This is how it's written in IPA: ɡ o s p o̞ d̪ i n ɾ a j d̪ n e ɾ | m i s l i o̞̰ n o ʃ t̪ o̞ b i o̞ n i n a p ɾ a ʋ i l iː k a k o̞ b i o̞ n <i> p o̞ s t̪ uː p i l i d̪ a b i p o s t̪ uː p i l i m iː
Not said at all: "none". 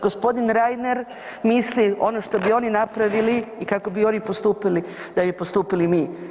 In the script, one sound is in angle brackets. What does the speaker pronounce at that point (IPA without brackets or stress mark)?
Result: i